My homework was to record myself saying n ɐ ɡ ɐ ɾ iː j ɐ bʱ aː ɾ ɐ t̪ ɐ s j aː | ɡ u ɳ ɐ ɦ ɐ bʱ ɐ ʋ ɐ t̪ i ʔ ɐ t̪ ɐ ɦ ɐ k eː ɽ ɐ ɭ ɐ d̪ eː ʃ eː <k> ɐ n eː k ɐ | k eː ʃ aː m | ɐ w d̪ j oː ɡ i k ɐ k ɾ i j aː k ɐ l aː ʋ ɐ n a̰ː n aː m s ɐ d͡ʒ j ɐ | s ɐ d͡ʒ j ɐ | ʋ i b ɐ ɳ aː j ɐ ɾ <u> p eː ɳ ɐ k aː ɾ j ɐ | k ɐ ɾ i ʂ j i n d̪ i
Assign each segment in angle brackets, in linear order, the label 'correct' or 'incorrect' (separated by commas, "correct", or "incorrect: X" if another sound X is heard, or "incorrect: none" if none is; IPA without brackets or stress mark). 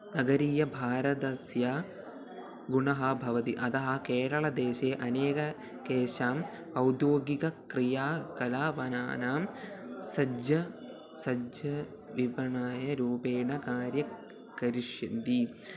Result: incorrect: ʔ, incorrect: uː